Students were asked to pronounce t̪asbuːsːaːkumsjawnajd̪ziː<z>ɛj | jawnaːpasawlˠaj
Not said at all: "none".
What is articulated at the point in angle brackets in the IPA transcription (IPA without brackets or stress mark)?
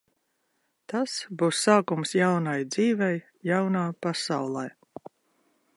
v